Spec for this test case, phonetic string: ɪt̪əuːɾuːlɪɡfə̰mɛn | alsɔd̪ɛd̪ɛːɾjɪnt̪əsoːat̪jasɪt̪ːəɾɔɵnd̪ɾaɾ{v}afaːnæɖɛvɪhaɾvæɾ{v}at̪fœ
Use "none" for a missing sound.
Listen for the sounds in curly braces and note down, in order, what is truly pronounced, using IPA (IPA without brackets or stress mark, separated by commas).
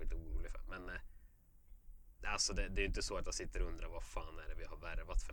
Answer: v, v